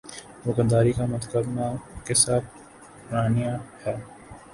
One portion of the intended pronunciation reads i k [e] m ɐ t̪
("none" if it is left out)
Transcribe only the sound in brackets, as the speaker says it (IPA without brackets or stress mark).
a